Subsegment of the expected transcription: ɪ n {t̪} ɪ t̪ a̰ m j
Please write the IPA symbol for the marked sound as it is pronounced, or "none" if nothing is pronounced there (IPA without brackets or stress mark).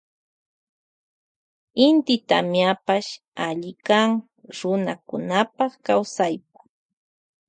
t̪